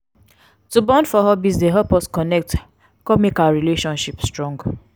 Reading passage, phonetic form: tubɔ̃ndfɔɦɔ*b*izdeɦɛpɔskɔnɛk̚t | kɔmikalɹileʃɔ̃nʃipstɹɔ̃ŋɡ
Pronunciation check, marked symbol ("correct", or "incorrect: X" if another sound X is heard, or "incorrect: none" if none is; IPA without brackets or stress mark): correct